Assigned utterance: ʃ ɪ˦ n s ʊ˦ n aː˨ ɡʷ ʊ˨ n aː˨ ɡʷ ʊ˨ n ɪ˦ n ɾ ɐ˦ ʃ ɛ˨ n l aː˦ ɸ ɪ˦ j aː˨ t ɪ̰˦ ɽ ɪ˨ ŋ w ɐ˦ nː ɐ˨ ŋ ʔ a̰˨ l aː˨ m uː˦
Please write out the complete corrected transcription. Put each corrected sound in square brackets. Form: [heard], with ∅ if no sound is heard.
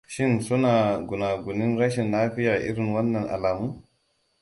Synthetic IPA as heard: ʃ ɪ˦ n s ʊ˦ n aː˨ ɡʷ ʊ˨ n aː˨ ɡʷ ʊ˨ n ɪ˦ n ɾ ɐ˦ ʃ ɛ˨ n l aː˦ ɸ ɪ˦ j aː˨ [ʔ] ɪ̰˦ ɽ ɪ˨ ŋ w ɐ˦ nː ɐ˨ ŋ ʔ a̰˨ l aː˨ m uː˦